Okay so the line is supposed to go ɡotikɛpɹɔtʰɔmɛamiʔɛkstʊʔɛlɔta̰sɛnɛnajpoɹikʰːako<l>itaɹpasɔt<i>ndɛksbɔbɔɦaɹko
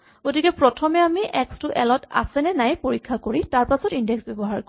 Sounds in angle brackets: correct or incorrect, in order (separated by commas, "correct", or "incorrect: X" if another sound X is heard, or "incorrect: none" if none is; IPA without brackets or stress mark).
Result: incorrect: ɹ, correct